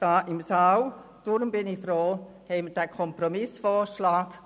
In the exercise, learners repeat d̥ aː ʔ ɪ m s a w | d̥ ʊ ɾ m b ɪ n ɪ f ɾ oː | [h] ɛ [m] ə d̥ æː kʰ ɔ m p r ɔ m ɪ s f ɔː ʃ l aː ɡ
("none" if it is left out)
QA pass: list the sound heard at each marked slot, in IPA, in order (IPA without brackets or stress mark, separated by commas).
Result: h, m